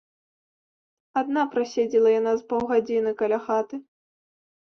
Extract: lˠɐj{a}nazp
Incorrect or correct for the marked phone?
correct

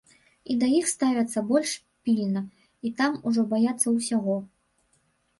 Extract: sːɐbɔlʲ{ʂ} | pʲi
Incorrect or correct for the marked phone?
correct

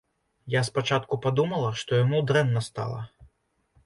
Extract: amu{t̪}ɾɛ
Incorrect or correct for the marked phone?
incorrect: d̪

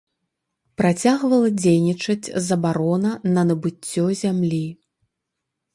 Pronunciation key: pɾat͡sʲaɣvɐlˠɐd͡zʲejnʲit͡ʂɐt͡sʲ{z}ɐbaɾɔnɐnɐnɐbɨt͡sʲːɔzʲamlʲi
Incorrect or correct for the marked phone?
correct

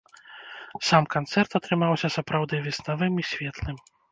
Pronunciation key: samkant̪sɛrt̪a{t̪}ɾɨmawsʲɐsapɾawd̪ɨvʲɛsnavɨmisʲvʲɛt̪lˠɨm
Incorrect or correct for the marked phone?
correct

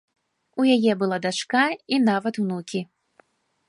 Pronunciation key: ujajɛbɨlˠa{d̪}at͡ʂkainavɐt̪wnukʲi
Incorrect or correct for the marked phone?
correct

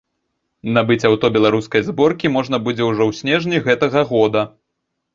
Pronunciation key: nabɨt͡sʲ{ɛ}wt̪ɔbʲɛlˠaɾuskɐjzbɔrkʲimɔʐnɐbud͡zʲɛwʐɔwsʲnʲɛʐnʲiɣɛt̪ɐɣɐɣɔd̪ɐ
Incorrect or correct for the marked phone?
incorrect: a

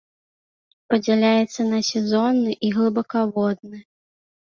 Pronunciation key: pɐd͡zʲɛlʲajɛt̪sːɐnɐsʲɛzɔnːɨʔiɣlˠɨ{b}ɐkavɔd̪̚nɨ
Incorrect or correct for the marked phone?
correct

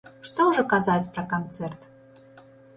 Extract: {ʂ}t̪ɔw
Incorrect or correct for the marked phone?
correct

